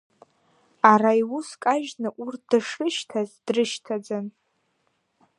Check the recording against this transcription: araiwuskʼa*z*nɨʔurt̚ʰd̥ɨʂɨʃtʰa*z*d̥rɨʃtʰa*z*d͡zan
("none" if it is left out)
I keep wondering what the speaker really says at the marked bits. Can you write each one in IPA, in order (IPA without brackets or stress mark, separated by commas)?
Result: ʒ, z, none